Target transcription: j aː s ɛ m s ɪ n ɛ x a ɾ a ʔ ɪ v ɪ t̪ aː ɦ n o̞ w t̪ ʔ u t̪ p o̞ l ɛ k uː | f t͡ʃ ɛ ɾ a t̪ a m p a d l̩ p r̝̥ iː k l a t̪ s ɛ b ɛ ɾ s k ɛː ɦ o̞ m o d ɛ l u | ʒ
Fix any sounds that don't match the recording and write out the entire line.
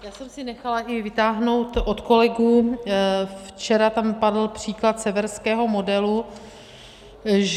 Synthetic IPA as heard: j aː s ɛ m s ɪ n ɛ x a l a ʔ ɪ v ɪ t̪ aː ɦ n o̞ w t̪ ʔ o t̪ k o̞ l ɛ ɡ uː | f t͡ʃ ɛ ɾ a t̪ a m p a d l̩ p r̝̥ iː k l a t̪ s ɛ v ɛ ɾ s k ɛː ɦ o̞ m o d ɛ l u | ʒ